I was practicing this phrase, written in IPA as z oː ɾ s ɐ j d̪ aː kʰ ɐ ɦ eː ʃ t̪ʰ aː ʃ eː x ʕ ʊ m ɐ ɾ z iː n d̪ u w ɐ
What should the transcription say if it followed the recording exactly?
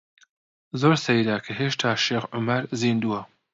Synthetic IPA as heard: z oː ɾ s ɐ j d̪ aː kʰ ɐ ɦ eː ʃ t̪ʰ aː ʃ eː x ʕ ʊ m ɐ ɾ z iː n d̪ u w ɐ